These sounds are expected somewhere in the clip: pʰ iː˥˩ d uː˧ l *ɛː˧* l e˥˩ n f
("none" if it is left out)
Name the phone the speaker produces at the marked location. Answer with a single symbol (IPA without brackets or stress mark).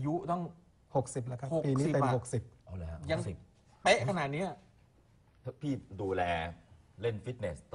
ɛː˧